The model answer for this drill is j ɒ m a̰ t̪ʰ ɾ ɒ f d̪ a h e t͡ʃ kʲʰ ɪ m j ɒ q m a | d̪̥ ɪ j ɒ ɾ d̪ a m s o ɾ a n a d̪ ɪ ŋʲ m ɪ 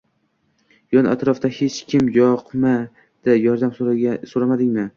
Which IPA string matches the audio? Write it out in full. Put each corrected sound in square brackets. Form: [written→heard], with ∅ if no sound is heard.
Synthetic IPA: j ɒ [m→n] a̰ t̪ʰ ɾ ɒ f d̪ a h e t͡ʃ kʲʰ ɪ m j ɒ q m a | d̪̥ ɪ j ɒ ɾ d̪ a m s o ɾ a [n→m] a d̪ ɪ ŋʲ m ɪ